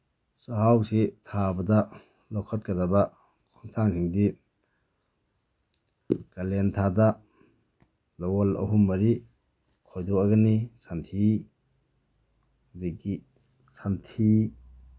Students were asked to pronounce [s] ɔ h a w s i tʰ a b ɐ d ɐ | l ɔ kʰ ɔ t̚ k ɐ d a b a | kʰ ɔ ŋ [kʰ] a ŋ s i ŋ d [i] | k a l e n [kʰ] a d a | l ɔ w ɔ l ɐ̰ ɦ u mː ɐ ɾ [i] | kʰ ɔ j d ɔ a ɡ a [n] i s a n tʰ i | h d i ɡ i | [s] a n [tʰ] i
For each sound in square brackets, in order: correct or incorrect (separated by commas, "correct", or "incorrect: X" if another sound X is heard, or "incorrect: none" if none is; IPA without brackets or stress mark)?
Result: correct, incorrect: tʰ, correct, incorrect: tʰ, correct, correct, correct, correct